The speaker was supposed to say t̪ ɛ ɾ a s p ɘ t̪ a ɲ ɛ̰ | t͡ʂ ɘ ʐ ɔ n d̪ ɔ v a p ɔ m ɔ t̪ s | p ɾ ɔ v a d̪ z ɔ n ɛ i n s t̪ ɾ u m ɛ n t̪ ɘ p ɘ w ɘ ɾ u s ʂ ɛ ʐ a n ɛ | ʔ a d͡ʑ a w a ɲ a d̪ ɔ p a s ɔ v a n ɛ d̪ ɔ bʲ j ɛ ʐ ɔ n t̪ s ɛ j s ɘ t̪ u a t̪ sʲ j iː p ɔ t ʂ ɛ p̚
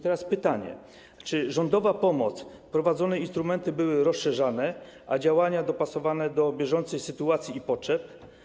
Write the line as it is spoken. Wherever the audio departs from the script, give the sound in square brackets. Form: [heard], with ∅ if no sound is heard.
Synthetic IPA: t̪ ɛ ɾ a s p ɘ t̪ a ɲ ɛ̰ | t͡ʂ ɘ ʐ ɔ n d̪ ɔ v a p ɔ m ɔ t̪ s | p ɾ ɔ v a d̪ z ɔ n ɛ i n s t̪ ɾ u m ɛ n t̪ ɘ [b] ɘ w ɘ ɾ [ɔ] s ʂ ɛ ʐ a n ɛ | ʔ a d͡ʑ a w a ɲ a d̪ ɔ p a s ɔ v a n ɛ d̪ ɔ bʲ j ɛ ʐ ɔ n t̪ s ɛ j s ɘ t̪ u a t̪ sʲ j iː p ɔ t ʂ ɛ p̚